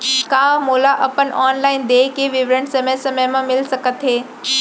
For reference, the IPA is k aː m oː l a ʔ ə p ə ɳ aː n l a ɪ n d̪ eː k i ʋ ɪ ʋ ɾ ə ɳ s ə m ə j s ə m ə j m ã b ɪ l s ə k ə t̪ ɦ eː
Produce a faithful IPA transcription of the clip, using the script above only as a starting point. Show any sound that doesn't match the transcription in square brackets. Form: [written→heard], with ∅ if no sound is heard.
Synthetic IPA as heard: k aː m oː l a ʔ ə p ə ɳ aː n l a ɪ n d̪ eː k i ʋ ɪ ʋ ɾ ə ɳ s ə m ə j s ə m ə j m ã [b→m] ɪ l s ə k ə t̪ ɦ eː